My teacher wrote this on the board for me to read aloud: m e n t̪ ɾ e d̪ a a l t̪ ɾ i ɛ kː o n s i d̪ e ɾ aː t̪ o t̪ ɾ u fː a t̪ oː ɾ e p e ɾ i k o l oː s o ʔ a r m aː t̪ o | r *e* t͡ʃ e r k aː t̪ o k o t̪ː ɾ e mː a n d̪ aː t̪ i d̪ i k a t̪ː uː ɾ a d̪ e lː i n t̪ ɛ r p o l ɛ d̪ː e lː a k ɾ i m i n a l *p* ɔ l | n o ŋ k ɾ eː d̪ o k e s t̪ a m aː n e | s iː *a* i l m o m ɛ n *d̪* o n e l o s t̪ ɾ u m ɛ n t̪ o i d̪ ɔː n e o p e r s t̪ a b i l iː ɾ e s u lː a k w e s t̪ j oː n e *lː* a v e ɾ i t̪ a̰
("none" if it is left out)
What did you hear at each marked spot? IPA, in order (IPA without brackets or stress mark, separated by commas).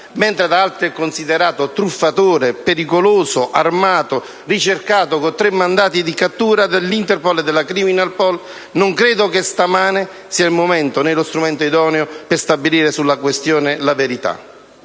i, p, a, t̪, l